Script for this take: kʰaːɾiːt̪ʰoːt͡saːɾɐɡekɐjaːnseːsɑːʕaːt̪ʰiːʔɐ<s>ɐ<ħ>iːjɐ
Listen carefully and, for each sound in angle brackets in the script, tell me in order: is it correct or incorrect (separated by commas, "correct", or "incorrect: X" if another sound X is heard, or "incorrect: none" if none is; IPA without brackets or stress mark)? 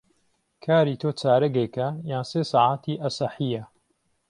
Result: correct, correct